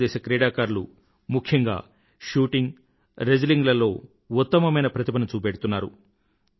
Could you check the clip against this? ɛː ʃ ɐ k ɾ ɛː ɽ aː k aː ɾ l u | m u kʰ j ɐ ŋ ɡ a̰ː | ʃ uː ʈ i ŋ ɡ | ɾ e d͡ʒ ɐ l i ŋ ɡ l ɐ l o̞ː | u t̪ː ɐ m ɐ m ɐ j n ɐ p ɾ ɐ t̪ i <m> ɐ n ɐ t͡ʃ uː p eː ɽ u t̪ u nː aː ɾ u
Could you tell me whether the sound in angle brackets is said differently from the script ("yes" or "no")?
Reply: yes